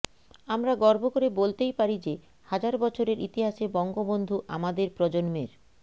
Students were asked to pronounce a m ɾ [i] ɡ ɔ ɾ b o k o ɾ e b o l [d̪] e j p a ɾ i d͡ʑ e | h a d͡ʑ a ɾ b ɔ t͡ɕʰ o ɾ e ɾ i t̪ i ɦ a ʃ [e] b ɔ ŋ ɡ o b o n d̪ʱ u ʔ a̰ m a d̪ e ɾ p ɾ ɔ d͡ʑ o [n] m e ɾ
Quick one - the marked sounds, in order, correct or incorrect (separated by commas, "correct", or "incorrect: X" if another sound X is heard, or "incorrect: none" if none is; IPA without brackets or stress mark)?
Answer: incorrect: a, incorrect: t̪, correct, correct